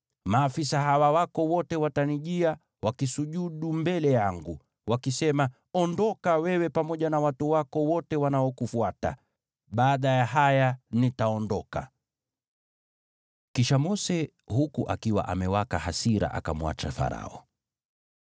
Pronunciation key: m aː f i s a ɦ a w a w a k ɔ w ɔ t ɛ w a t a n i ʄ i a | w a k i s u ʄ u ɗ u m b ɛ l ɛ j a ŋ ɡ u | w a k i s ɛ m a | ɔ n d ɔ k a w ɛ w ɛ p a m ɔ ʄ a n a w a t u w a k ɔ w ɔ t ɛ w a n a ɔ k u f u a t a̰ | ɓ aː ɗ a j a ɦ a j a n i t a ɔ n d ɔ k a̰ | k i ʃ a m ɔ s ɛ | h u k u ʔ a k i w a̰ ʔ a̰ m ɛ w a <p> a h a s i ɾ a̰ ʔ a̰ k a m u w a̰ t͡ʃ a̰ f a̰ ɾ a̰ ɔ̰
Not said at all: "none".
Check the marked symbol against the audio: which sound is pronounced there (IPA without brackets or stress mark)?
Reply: k